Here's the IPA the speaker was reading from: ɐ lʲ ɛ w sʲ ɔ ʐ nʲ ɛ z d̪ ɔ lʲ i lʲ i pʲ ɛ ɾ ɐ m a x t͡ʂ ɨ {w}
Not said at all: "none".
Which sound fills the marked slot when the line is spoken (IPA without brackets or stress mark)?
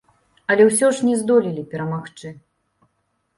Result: none